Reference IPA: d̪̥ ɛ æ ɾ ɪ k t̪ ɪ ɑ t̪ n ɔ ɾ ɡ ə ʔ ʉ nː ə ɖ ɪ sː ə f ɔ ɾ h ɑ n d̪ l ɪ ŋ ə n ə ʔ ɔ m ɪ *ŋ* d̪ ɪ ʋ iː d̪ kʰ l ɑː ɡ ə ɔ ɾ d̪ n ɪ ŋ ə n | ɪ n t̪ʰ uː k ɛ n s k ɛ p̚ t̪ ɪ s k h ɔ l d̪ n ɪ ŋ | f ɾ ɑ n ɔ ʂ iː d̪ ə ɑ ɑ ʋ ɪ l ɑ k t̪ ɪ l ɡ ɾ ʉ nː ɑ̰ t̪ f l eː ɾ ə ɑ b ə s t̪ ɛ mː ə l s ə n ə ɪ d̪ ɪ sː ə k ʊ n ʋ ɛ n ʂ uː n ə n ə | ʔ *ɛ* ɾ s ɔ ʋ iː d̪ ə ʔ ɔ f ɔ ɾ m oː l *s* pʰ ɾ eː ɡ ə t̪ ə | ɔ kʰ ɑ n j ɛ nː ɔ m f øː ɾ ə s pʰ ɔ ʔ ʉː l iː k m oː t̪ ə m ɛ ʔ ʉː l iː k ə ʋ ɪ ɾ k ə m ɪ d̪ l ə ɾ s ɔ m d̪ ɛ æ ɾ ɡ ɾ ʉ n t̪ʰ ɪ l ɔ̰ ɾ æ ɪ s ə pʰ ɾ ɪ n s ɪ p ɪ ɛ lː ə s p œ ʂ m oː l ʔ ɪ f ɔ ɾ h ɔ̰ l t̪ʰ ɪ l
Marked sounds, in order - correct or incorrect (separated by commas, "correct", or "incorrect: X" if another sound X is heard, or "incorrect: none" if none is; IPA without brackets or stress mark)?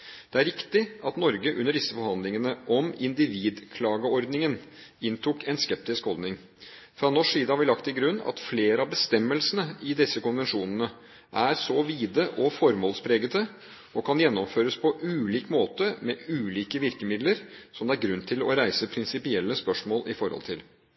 incorrect: n, incorrect: æ, correct